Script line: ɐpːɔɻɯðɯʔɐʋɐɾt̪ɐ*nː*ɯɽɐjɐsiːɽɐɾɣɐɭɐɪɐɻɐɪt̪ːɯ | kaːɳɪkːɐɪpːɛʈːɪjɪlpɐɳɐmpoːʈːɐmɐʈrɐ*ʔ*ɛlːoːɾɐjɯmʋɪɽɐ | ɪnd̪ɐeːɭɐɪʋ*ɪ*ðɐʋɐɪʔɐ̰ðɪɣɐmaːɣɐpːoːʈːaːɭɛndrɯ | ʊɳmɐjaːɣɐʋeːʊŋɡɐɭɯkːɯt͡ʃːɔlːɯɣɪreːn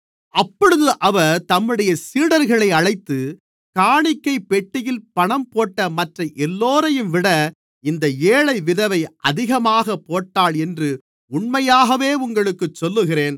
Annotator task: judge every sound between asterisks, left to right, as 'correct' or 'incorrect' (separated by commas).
incorrect, correct, correct